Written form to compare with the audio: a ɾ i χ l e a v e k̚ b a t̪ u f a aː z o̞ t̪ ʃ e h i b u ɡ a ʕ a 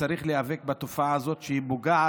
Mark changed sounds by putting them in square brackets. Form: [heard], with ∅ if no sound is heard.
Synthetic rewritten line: a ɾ i χ l e a v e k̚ b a t̪ [o] f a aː z o̞ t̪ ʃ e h i b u ɡ a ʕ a